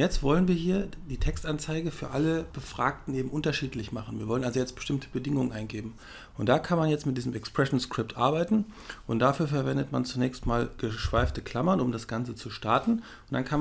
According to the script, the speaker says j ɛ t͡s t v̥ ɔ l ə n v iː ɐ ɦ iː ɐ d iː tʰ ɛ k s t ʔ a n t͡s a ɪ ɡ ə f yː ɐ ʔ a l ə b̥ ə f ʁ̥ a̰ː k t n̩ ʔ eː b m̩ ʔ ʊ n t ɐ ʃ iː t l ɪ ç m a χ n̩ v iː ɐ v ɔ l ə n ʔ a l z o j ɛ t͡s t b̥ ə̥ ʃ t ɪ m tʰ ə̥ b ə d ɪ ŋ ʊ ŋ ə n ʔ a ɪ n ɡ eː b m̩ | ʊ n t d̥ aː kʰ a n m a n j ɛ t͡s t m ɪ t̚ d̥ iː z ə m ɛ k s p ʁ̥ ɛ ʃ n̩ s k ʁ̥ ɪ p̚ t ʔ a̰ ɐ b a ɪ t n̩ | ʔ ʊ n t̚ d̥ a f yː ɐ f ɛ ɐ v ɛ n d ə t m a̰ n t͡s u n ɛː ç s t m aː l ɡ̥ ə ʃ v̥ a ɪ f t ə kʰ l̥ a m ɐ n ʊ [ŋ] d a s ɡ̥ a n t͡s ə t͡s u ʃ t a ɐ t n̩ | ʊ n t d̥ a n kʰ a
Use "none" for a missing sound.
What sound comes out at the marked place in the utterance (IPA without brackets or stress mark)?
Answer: m